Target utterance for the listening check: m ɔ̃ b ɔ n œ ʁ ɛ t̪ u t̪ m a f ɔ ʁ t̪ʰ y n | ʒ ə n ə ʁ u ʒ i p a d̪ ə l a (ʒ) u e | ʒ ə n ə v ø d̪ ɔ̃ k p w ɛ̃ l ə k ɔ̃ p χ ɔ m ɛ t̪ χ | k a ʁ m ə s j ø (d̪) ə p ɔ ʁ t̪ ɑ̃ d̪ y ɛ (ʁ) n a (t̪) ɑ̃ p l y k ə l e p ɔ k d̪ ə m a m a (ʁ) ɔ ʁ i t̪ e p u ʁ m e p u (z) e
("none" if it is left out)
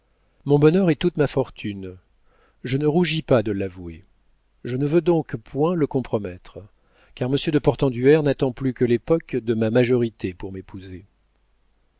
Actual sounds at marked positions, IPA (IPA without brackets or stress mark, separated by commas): v, d̪, ʁ, t̪, ʒ, z